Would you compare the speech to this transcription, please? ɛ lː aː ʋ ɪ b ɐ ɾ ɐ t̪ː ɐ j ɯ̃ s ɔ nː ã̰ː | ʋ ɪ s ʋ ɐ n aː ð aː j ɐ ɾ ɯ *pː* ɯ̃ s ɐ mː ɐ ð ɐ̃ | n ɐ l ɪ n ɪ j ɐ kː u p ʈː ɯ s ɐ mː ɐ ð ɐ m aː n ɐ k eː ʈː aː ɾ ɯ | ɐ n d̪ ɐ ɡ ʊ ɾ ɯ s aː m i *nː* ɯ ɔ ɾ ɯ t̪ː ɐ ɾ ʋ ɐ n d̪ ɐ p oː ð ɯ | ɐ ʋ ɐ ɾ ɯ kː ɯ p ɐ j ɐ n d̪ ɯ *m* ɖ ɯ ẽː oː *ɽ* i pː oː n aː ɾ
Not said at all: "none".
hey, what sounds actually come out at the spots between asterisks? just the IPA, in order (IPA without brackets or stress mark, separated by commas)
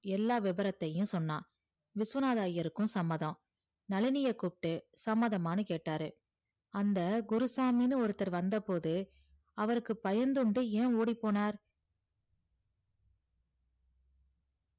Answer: kː, n, ɳ, ɽ